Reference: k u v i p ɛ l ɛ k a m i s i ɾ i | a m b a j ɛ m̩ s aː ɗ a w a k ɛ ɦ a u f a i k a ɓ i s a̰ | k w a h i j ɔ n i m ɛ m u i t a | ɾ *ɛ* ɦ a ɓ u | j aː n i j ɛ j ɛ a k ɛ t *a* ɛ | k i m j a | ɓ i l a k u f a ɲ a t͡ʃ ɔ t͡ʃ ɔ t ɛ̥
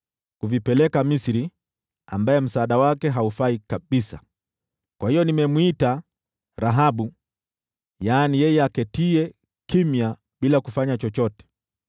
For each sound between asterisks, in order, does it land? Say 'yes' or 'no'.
no, no

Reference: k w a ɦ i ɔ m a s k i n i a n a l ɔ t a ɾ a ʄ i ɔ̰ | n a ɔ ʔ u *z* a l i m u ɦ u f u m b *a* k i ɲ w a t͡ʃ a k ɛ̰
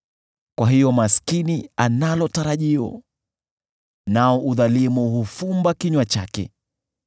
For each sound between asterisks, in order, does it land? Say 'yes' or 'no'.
no, yes

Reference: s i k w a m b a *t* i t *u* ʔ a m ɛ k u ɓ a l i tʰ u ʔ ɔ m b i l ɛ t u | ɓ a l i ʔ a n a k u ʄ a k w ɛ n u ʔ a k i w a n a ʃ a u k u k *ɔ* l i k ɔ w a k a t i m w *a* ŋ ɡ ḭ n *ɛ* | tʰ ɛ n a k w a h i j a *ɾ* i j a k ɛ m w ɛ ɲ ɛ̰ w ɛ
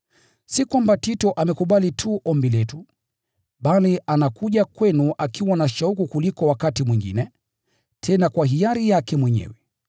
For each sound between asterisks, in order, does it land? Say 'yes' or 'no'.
yes, no, no, no, yes, yes

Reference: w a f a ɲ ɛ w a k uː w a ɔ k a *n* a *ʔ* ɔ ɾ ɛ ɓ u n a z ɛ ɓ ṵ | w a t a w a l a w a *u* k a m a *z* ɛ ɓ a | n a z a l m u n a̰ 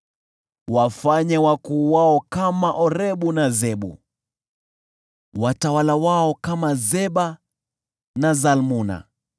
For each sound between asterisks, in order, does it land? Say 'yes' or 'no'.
no, yes, no, yes

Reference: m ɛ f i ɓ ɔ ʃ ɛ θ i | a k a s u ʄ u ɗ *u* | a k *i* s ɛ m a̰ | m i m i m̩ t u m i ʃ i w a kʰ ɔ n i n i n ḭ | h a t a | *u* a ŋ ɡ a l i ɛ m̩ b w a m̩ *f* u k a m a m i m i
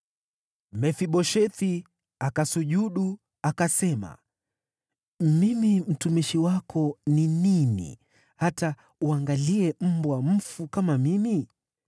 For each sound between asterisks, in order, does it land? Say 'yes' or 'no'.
yes, no, yes, yes

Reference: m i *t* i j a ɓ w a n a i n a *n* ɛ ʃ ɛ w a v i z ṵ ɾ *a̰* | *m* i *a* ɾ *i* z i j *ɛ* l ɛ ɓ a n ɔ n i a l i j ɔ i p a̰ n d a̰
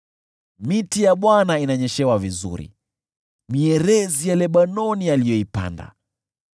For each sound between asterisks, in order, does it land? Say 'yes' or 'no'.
yes, no, no, yes, no, no, no

